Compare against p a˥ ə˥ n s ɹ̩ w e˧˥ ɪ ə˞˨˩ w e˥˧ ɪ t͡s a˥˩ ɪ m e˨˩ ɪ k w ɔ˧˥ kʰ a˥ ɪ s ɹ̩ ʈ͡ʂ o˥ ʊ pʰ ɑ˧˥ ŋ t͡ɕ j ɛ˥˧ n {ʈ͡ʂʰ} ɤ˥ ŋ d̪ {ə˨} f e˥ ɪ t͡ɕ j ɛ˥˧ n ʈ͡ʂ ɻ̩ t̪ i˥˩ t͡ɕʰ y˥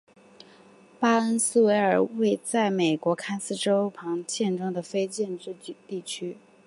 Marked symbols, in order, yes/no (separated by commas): no, yes